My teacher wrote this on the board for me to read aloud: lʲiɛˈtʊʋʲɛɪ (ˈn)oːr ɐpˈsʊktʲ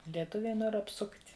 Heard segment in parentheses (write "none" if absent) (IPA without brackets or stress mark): n